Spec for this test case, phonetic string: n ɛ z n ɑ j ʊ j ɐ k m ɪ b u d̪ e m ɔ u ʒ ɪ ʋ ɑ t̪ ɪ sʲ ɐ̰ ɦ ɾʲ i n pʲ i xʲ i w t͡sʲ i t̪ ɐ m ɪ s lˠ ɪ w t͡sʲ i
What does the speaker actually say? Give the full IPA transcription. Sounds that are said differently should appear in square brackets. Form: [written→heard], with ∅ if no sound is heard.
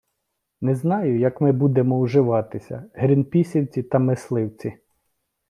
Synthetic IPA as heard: n ɛ z n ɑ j ʊ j ɐ k m ɪ b u d̪ e m ɔ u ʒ ɪ ʋ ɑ t̪ ɪ sʲ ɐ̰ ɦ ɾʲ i n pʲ i [xʲ→sʲ] i w t͡sʲ i t̪ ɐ m ɪ s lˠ ɪ w t͡sʲ i